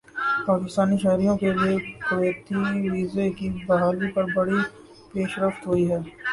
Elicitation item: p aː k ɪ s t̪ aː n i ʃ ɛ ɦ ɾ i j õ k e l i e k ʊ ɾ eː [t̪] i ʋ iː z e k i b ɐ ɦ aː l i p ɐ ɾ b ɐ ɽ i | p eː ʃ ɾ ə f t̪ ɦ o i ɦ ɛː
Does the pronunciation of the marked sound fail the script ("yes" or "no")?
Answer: no